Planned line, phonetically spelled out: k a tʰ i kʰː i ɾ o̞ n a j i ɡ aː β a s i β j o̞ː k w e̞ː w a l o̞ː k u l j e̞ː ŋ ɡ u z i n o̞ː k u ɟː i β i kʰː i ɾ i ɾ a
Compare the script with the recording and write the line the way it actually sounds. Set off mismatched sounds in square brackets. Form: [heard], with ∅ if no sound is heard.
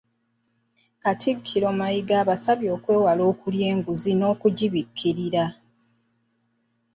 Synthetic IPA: k a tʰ i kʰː i ɾ o̞ [m] a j i ɡ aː β a s [a] β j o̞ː k w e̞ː w a l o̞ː k u l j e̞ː ŋ ɡ u z i n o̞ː k u [ɟ] i β i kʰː i ɾ i ɾ a